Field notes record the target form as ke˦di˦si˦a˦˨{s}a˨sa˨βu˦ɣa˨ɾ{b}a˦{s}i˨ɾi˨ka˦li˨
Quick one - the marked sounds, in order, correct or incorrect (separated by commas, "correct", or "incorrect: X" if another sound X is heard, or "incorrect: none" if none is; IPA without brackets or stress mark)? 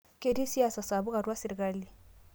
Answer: correct, incorrect: w, correct